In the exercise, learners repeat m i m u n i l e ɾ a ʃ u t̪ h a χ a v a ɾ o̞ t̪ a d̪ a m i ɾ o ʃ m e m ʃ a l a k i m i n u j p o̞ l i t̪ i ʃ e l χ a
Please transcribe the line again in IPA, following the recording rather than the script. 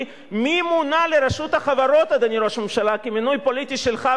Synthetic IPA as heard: m i m u n a l e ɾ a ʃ u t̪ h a χ a v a ɾ o̞ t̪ a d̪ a n i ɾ o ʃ m e m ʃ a l a k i m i n u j p o̞ l i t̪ i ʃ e l χ a